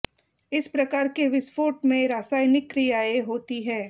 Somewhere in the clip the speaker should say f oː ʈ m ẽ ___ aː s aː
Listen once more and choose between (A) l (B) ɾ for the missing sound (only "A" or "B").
B